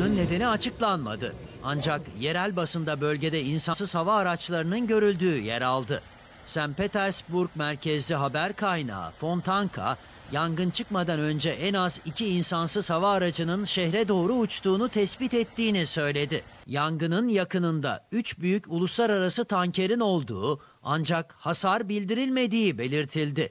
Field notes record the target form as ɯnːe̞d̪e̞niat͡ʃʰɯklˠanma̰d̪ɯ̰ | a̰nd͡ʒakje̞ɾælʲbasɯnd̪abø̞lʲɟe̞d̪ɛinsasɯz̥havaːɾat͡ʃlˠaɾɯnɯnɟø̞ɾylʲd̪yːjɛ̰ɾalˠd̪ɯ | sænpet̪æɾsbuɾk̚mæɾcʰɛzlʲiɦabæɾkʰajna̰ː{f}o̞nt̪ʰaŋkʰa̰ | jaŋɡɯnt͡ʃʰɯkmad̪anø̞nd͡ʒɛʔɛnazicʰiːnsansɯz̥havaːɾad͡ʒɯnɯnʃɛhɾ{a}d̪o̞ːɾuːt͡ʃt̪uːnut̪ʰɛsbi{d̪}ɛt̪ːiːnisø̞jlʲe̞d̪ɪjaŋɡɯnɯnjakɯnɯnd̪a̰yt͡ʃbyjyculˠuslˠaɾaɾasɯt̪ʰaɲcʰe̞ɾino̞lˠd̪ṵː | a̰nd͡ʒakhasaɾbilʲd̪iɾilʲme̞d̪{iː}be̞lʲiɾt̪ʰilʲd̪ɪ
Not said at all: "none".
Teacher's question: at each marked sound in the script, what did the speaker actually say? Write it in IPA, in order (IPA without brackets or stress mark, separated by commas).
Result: f, ɛ, t̪, iː